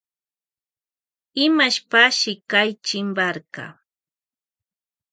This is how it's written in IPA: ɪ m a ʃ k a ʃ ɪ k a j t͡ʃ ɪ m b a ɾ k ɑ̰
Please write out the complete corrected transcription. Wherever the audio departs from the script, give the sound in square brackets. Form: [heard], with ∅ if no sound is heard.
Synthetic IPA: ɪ m a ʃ [p] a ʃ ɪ k a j t͡ʃ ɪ m b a ɾ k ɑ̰